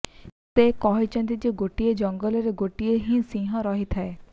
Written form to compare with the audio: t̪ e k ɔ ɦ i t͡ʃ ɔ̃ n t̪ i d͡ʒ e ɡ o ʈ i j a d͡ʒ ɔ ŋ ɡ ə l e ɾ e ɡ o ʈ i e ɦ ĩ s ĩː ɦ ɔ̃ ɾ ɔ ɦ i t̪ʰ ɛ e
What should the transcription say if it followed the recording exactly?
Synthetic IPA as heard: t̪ e k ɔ ɦ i t͡ʃ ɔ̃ n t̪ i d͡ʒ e ɡ o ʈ i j e d͡ʒ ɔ ŋ ɡ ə l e ɾ e ɡ o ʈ i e ɦ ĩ s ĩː ɦ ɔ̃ ɾ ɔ ɦ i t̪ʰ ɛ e